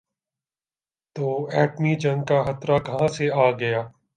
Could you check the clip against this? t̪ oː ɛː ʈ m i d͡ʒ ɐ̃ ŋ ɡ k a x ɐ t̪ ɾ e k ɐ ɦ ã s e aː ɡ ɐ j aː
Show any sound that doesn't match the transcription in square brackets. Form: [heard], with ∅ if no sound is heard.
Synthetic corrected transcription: t̪ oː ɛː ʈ m i d͡ʒ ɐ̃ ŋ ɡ k a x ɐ t̪ ɾ [a] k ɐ ɦ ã s e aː ɡ ɐ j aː